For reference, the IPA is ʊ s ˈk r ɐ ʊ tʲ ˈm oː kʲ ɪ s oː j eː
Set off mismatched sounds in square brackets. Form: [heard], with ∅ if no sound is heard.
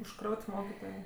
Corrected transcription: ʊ [ʃ] ˈk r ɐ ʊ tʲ ˈm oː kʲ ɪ [t] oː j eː